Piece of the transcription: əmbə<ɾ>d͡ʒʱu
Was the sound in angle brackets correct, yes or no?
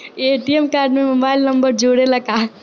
yes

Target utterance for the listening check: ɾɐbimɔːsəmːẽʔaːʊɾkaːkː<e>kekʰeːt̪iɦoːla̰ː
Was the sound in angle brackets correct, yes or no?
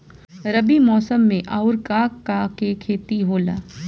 no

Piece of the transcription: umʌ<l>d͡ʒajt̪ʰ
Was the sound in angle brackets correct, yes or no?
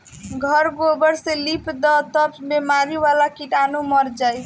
no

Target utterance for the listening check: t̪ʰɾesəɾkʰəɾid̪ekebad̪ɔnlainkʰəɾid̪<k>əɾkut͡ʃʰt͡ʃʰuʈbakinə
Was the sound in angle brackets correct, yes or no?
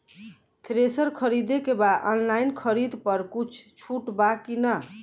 no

